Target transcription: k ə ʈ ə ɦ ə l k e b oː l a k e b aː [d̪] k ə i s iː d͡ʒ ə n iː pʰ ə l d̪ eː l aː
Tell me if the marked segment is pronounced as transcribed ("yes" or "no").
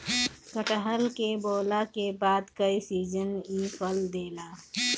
yes